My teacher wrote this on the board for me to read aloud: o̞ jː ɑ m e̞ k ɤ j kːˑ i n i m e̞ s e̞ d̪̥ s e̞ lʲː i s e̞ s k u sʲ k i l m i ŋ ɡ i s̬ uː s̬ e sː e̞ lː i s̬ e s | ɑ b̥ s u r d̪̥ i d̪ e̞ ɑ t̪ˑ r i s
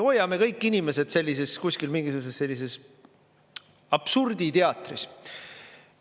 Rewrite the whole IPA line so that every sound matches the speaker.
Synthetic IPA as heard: o̞ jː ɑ m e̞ k ɤ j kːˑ i n i m e̞ s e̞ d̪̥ s e̞ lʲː i s e̞ s k u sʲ k i l m i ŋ ɡ i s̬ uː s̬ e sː e̞ lː i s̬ e s | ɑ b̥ s u r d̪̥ i t̪ e̞ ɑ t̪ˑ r i s